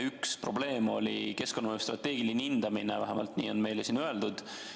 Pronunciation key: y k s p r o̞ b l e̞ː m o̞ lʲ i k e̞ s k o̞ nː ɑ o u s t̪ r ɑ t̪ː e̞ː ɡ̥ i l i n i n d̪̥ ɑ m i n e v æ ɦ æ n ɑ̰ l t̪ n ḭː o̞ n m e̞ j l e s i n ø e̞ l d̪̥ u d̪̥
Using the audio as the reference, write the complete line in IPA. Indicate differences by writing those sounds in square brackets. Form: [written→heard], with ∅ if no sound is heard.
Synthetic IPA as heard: y k s p r o̞ b l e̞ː m o̞ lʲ i k e̞ s k o̞ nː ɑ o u s t̪ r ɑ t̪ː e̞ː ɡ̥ i l i n i n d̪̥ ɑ m i n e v æ ɦ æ [n→m] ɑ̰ l t̪ n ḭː o̞ n m e̞ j l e s i n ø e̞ l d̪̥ u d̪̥